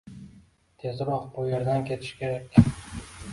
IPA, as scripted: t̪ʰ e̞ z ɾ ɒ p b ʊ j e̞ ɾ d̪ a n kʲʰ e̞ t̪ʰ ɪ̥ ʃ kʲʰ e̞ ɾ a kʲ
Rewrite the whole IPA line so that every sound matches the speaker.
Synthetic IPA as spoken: t̪ʰ e̞ z ɾ ɒ q b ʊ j e̞ ɾ d̪ a n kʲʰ e̞ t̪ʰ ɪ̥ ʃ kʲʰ e̞ ɾ a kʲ